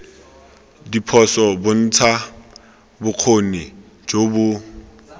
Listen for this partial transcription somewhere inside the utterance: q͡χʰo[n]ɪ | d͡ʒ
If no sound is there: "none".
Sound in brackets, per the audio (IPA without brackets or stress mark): n